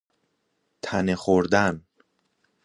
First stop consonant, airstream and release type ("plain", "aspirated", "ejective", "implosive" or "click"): aspirated